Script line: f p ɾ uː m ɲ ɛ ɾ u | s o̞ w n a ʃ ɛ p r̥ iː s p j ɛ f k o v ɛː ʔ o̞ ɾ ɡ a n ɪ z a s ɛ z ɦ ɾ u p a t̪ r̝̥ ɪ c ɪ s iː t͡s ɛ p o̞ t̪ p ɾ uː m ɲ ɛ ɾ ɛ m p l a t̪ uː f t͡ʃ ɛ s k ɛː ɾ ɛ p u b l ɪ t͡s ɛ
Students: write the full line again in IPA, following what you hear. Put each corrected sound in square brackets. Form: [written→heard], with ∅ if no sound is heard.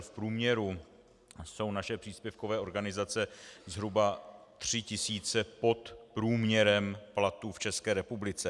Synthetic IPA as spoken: f p ɾ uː m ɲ ɛ ɾ u | s o̞ w n a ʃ ɛ p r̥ iː s p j ɛ f k o v ɛː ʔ o̞ ɾ ɡ a n ɪ z a [s→t͡s] ɛ z ɦ ɾ u [p→b] a t̪ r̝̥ ɪ c ɪ s iː t͡s ɛ p o̞ t̪ p ɾ uː m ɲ ɛ ɾ ɛ m p l a t̪ uː f t͡ʃ ɛ s k ɛː ɾ ɛ p u b l ɪ t͡s ɛ